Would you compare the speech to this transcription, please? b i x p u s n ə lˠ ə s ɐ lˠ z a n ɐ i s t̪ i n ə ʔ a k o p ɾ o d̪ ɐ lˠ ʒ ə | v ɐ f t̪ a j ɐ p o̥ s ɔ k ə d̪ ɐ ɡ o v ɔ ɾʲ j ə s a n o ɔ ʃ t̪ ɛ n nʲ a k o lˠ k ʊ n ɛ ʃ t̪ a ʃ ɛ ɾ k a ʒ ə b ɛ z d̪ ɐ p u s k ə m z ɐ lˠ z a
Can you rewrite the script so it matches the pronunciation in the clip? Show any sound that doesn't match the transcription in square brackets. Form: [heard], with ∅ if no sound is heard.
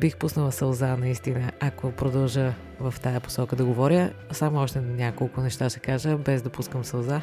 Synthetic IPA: b i x p u s n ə lˠ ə s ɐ lˠ z a n ɐ i s t̪ i n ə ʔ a k o p ɾ o d̪ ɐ lˠ ʒ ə | v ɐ f t̪ a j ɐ p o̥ s ɔ k ə d̪ ɐ ɡ o v ɔ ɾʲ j ə s a [m] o ɔ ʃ t̪ ɛ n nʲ a k o lˠ k ʊ n ɛ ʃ t̪ a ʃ ɛ [∅] k a ʒ ə b ɛ z d̪ ɐ p u s k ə m [s] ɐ lˠ z a